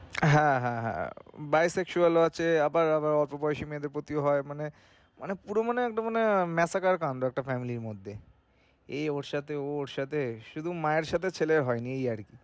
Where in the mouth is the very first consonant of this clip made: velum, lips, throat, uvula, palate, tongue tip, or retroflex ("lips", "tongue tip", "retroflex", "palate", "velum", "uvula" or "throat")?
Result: throat